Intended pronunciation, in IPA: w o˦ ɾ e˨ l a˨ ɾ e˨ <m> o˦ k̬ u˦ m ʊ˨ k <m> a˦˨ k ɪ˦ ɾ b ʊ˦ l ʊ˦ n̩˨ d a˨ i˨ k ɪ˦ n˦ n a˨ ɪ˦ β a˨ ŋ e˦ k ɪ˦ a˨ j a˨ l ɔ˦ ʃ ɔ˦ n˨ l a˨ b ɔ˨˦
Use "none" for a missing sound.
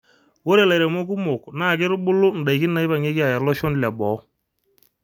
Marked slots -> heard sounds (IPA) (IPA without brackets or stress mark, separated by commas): m, n